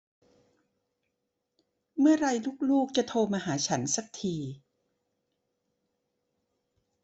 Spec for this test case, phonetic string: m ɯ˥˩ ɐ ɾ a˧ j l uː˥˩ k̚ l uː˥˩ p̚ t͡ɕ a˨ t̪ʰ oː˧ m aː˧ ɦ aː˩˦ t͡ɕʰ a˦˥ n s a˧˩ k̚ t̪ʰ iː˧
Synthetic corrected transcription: m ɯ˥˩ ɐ ɾ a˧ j l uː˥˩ k̚ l uː˥˩ k̚ t͡ɕ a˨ t̪ʰ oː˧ m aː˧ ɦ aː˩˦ t͡ɕʰ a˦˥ n s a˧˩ k̚ t̪ʰ iː˧